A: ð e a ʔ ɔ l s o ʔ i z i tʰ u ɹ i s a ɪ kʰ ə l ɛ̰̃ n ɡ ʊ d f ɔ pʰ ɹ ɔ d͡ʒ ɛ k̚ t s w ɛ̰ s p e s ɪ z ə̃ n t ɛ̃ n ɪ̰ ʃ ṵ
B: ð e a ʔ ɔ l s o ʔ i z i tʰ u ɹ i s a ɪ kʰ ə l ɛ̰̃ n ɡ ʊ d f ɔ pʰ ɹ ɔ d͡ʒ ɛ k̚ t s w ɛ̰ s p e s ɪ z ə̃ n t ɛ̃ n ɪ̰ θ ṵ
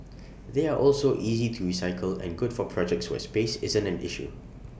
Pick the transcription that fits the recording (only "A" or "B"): A